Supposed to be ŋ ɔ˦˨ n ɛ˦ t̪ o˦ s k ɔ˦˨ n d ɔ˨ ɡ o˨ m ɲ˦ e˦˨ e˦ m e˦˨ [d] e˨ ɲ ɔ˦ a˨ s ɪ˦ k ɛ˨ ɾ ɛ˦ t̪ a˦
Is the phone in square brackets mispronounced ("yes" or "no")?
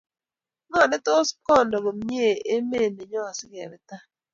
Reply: yes